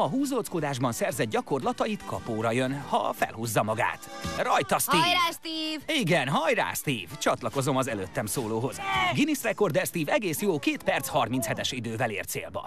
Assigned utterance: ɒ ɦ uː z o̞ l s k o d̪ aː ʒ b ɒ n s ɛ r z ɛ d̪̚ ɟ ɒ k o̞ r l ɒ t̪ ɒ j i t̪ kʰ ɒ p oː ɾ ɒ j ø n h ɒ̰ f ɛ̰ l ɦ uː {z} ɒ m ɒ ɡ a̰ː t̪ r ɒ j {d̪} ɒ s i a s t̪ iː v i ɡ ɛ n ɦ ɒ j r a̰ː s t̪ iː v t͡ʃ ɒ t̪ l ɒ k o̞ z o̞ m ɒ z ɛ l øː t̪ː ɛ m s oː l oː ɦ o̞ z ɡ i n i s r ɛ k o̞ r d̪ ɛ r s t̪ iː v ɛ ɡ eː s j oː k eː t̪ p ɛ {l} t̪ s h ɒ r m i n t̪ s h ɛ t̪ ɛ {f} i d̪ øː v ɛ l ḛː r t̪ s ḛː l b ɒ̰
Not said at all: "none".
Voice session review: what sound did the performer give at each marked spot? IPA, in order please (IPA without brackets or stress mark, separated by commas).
zː, t̪, r, ʃ